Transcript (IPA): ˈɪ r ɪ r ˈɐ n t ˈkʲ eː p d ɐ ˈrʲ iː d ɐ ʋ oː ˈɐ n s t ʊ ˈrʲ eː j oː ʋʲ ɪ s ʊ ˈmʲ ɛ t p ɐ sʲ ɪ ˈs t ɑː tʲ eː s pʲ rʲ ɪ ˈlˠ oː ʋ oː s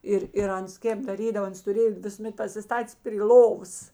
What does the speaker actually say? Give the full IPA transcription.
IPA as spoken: ˈɪ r ɪ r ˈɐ n s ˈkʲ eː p d ɐ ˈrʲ iː d ɐ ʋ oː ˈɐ n s t ʊ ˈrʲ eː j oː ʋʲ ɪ s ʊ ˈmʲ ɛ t p ɐ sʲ ɪ ˈs t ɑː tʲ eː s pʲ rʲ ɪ ˈlˠ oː ʋ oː s